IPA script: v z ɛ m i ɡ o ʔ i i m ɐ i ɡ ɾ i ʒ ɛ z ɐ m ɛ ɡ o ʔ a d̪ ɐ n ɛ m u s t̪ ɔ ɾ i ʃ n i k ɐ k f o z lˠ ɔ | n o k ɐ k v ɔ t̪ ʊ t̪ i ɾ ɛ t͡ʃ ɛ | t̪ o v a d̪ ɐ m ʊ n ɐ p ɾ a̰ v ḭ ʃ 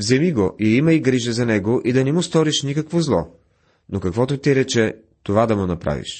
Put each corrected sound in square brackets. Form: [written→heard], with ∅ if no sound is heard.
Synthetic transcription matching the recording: v z ɛ m i ɡ o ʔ i i m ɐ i ɡ ɾ i ʒ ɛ z ɐ [m→n] ɛ ɡ o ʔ [a→i] d̪ ɐ n ɛ m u s t̪ ɔ ɾ i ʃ n i k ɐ k [f→v] o z lˠ ɔ | n o k ɐ k v ɔ t̪ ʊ t̪ i ɾ ɛ t͡ʃ ɛ | t̪ o v a d̪ ɐ m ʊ n ɐ p ɾ a̰ v ḭ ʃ